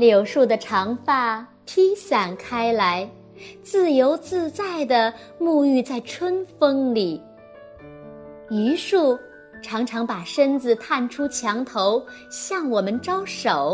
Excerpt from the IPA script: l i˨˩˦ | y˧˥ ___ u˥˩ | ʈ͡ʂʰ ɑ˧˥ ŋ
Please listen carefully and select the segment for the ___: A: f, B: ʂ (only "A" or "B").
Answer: B